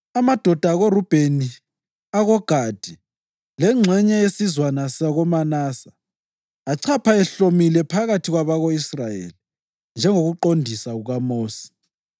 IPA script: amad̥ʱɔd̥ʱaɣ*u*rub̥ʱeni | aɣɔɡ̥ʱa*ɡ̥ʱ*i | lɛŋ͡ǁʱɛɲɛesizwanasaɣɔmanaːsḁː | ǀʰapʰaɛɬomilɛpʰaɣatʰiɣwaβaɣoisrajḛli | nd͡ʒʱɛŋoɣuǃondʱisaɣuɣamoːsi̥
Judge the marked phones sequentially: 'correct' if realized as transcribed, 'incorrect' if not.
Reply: incorrect: o, incorrect: d̥ʱ

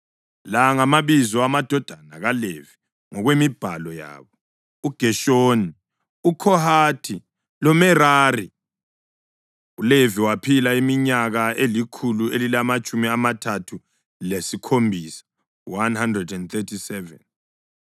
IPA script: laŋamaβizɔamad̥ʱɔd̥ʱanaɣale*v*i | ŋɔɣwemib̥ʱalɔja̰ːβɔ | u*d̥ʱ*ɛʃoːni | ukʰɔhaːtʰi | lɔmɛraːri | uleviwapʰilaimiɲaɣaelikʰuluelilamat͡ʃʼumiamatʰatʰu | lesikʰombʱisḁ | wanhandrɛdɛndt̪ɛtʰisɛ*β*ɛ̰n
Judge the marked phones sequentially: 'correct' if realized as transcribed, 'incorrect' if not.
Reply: correct, incorrect: ɡ̥ʱ, incorrect: v

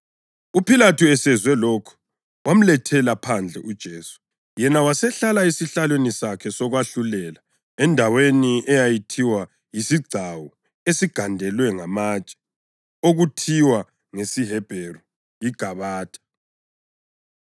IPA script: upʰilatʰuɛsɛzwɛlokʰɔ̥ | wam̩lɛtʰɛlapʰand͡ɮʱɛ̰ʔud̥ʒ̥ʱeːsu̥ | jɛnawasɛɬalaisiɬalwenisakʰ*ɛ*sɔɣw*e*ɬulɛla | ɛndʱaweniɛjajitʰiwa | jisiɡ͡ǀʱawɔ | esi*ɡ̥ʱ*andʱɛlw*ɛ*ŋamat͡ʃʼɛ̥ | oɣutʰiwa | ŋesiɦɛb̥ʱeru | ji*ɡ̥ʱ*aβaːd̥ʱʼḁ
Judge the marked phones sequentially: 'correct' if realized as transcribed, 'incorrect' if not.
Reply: correct, incorrect: a, correct, correct, correct

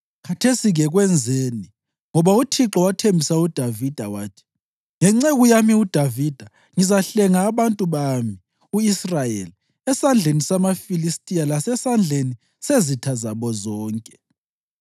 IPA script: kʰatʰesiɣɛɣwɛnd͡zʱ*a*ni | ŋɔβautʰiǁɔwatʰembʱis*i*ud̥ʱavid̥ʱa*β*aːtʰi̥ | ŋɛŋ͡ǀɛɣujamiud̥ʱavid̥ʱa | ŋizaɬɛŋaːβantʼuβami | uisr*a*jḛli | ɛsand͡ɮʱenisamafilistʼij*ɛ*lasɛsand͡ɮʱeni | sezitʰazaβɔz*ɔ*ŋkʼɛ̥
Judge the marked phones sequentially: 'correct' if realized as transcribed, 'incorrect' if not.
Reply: incorrect: e, incorrect: a, incorrect: w, correct, incorrect: a, incorrect: ɔː

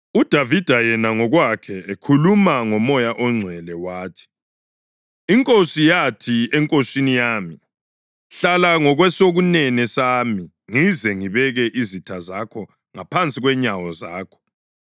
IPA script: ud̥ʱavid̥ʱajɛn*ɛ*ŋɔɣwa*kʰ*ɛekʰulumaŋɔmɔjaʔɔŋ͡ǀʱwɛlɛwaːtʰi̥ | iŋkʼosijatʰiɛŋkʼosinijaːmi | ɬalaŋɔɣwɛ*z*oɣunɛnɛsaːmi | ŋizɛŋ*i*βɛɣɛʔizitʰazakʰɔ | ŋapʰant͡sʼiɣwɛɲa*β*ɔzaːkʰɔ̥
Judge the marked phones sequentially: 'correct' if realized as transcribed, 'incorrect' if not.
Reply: incorrect: a, correct, incorrect: s, correct, incorrect: w

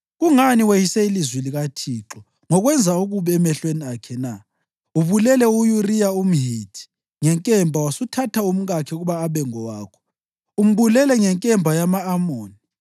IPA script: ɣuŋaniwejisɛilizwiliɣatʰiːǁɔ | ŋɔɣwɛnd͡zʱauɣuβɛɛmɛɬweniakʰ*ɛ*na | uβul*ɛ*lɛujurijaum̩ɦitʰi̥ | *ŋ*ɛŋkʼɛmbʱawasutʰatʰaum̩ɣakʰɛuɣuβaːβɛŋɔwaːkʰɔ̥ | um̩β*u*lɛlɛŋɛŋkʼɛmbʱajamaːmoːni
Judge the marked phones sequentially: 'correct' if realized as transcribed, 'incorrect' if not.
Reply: correct, correct, correct, correct

